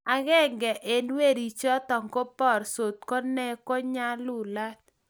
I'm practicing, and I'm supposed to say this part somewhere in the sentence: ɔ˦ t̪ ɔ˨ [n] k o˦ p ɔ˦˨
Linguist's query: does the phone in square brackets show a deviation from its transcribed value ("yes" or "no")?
yes